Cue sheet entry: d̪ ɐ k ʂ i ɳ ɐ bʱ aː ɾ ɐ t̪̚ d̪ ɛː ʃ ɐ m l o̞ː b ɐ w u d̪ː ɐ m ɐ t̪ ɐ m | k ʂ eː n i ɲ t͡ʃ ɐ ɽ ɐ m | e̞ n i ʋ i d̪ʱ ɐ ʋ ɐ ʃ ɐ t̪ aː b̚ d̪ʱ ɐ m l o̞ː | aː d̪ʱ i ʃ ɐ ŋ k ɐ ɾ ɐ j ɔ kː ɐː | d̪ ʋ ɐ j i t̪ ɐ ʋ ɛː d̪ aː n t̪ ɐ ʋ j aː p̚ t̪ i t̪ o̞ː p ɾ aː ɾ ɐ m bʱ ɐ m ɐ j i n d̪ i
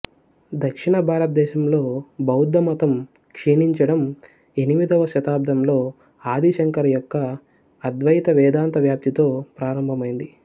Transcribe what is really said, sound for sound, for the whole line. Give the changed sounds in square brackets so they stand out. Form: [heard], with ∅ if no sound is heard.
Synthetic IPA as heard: d̪ ɐ k ʂ i ɳ ɐ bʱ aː ɾ ɐ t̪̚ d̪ ɛː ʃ ɐ m l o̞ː b ɐ w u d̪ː ɐ m ɐ t̪ ɐ m | k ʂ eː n i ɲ t͡ʃ ɐ ɽ ɐ m | e̞ n i ʋ i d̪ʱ ɐ ʋ ɐ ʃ ɐ t̪ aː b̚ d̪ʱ ɐ m l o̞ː | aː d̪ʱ i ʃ ɐ ŋ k ɐ ɾ ɐ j ɔ kː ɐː | d̪ ʋ ɐ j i t̪ ɐ ʋ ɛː d̪ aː n t̪ ɐ ʋ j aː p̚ t̪ i t̪ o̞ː p ɾ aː ɾ ɐ m bʱ ɐ m ɐ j i n d̪ i